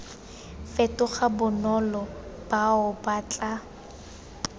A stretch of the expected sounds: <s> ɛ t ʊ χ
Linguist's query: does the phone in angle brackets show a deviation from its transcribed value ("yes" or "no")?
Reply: yes